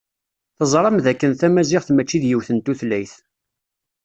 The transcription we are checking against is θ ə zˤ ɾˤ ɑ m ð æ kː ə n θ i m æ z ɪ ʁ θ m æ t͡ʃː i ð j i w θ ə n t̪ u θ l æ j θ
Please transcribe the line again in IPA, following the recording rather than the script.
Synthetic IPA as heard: θ ə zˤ ɾˤ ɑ m ð æ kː ə n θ æ m æ z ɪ ʁ θ m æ t͡ʃː i ð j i w θ ə n t̪ u θ l æ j θ